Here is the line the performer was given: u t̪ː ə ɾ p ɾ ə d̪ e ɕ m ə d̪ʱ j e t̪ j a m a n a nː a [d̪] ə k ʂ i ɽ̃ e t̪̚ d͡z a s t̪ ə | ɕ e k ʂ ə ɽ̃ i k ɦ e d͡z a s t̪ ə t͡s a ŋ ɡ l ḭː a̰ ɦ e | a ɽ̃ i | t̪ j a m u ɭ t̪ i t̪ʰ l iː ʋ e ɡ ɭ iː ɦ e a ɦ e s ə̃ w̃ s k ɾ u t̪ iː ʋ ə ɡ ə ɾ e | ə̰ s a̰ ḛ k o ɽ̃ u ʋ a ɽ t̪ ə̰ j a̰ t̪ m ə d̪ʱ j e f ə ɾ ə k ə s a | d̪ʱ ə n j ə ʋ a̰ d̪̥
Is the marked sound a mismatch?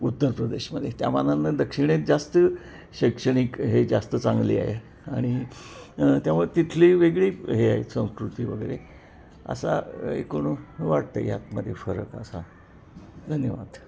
no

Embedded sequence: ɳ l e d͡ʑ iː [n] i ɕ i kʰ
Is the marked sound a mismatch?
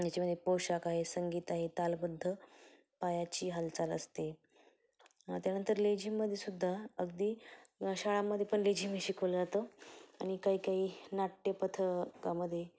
yes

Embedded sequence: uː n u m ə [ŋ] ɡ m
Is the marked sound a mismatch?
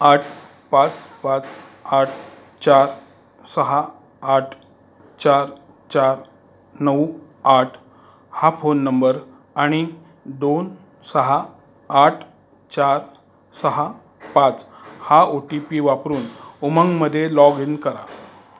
no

